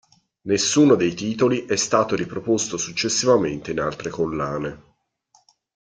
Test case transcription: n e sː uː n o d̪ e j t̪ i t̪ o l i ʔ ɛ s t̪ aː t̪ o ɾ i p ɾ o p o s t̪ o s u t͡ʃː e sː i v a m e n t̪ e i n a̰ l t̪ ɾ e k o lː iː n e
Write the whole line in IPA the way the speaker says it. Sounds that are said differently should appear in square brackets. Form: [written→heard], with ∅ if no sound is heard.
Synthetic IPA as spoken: n e sː uː n o d̪ e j t̪ [i→iː] t̪ o l i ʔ ɛ s t̪ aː t̪ o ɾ i p ɾ o p o s t̪ o s u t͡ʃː e sː i v a m e n t̪ e i n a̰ l t̪ ɾ e k o lː [iː→aː] n e